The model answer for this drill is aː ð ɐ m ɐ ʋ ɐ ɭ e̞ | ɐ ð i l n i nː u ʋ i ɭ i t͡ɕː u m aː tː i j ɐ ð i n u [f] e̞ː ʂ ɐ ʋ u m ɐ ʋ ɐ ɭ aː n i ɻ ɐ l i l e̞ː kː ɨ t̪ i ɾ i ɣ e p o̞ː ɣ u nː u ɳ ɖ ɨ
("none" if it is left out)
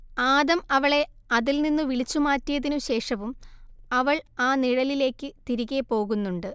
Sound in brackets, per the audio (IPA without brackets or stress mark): ɕ